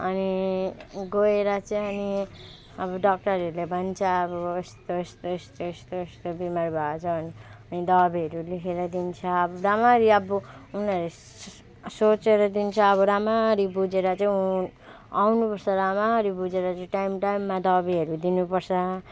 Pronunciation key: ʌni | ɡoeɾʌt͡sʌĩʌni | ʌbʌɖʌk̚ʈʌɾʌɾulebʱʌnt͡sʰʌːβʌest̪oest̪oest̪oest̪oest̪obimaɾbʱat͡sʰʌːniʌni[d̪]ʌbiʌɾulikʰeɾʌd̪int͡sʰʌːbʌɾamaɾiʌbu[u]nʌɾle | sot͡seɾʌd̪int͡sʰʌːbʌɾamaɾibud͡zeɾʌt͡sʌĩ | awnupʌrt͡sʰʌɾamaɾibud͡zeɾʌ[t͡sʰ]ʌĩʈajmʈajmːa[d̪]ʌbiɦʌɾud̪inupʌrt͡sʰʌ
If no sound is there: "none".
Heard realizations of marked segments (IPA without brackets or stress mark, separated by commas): d̪, u, t͡s, d̪